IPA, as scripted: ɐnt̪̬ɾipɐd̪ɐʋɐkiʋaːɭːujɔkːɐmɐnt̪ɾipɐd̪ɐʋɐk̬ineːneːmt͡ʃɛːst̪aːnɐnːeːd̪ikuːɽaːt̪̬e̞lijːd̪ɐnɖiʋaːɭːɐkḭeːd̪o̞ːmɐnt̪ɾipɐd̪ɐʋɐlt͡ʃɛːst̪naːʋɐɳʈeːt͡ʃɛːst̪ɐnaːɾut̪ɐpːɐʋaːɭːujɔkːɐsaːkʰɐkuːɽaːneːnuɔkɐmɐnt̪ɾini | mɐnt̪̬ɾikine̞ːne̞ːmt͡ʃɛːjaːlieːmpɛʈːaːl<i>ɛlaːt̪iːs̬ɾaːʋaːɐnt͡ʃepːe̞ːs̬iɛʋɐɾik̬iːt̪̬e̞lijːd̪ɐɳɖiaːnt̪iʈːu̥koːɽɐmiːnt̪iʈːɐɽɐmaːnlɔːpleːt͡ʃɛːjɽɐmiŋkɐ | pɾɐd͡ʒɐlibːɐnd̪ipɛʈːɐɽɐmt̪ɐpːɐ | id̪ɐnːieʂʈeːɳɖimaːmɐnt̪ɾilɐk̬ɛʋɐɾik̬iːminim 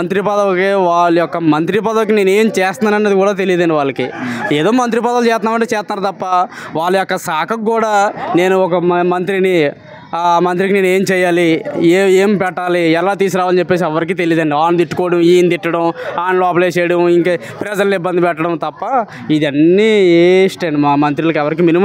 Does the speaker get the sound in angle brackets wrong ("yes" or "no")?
no